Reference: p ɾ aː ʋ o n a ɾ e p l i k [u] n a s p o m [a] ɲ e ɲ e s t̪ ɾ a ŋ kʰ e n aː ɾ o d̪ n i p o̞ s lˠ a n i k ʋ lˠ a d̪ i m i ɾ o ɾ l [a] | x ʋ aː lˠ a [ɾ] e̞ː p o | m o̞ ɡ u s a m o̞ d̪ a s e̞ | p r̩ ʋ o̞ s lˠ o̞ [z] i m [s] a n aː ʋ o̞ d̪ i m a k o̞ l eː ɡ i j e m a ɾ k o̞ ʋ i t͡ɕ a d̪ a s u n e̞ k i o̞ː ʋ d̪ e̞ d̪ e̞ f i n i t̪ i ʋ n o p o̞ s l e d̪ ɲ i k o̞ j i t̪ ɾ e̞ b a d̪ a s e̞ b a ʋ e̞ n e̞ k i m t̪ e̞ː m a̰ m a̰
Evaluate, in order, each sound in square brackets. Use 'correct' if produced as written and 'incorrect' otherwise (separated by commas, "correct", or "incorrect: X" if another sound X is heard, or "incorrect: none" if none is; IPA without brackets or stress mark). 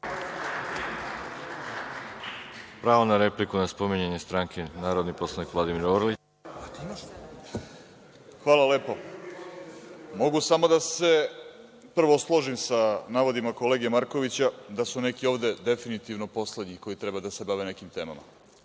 correct, incorrect: i, incorrect: i, incorrect: l, incorrect: ʒ, correct